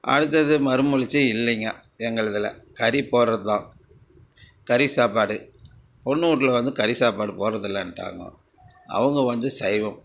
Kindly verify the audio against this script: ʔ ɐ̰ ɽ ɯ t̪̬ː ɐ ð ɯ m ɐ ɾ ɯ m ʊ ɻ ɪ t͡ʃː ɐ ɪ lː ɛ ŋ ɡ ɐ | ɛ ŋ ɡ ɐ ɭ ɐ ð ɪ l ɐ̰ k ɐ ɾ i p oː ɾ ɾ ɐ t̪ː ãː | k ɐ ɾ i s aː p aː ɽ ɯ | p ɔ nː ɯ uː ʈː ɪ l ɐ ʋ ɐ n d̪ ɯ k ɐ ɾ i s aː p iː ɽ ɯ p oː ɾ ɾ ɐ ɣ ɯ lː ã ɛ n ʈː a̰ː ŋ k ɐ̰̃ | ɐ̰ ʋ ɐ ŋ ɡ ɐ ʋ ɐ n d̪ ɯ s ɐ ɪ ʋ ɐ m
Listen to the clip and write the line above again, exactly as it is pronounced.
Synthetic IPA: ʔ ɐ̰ ɽ ɯ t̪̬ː ɐ ð ɯ m ɐ ɾ ɯ m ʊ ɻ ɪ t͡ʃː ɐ ɪ lː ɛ ŋ ɡ ɐ | ɛ ŋ ɡ ɐ ɭ ɐ ð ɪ l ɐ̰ k ɐ ɾ i p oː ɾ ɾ ɐ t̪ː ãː | k ɐ ɾ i s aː p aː ɽ ɯ | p ɔ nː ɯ uː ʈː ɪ l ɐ ʋ ɐ n d̪ ɯ k ɐ ɾ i s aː p aː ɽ ɯ p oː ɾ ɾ ɐ ð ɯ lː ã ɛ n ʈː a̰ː ŋ ɡ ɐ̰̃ | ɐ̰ ʋ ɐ ŋ ɡ ɐ ʋ ɐ n d̪ ɯ s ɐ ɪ ʋ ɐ m

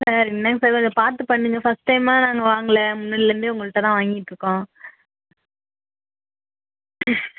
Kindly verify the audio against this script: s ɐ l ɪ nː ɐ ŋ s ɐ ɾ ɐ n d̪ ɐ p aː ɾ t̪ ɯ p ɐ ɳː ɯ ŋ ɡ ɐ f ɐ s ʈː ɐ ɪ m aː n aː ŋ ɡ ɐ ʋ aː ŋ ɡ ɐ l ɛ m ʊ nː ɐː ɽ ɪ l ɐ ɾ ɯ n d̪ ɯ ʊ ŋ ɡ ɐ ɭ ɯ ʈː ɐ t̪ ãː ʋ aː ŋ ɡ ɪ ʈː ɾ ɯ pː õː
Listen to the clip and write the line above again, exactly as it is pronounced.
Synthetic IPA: s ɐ ɾ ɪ nː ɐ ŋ s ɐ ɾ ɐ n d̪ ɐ p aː ɾ t̪ ɯ p ɐ ɳː ɯ ŋ ɡ ɐ f ɐ s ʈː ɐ ɪ m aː n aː ŋ ɡ ɐ ʋ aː ŋ ɡ ɐ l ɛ m ʊ nː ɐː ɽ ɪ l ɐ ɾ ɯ n d̪ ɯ ʊ ŋ ɡ ɐ ɭ ɯ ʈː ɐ t̪ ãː ʋ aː ŋ ɡ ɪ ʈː ɾ ɯ kː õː

